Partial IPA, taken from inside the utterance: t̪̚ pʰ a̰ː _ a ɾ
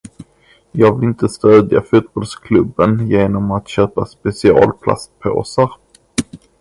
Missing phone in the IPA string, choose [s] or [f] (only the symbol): s